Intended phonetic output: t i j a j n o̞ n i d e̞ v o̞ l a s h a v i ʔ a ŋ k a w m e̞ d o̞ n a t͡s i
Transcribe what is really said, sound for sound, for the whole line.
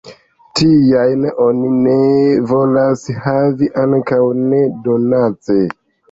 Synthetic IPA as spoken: t i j a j n o̞ n i n e̞ v o̞ l a s h a v i ʔ a ŋ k a w n e̞ d o̞ n a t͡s e

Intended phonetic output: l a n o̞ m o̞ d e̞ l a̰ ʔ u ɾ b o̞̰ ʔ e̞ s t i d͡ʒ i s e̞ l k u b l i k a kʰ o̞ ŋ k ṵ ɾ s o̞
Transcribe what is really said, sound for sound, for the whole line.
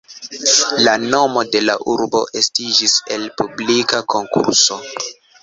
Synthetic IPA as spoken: l a n o̞ m o̞ d e̞ l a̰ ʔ u ɾ b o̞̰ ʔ e̞ s t i d͡ʒ i s e̞ l p u b l i k a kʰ o̞ ŋ k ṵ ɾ s o̞

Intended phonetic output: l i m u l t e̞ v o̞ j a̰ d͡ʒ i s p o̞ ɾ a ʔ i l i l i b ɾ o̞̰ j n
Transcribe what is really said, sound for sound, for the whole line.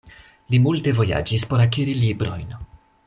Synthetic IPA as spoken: l i m u l t e̞ v o̞ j a̰ d͡ʒ i s p o̞ ɾ a k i ɾ i l i b ɾ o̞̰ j n

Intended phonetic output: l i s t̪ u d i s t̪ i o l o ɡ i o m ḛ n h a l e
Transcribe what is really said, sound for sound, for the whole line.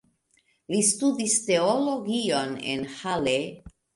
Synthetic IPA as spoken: l i s t̪ u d i s t̪ e o l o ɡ i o n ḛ n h a l e

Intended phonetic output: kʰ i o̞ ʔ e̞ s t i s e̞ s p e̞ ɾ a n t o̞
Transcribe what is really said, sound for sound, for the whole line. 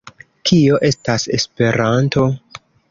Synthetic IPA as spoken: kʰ i o̞ ʔ e̞ s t a s e̞ s p e̞ ɾ a n t o̞

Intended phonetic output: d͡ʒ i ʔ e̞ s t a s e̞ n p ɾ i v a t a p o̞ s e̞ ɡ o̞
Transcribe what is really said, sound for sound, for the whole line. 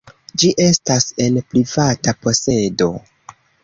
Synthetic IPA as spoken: d͡ʒ i ʔ e̞ s t a s e̞ n p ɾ i v a t a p o̞ s e̞ d o̞

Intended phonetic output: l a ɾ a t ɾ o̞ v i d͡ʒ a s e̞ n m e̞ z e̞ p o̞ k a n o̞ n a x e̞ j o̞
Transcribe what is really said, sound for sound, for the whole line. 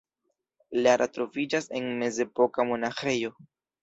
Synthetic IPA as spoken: l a ɾ a t ɾ o̞ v i d͡ʒ a s e̞ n m e̞ z e̞ p o̞ k a m o̞ n a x e̞ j o̞

